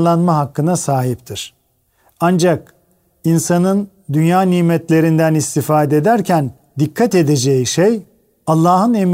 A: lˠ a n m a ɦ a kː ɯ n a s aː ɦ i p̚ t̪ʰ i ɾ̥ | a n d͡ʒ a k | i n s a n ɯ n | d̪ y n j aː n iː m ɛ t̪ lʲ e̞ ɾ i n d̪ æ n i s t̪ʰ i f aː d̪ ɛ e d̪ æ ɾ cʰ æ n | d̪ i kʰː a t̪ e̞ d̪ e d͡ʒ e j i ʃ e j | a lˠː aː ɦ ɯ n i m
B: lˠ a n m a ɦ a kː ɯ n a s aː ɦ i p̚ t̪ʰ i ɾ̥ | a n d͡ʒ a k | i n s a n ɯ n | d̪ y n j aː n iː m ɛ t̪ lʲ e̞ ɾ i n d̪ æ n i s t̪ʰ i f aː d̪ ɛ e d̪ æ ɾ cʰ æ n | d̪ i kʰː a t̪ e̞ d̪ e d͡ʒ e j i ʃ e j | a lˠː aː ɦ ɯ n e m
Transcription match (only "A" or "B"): B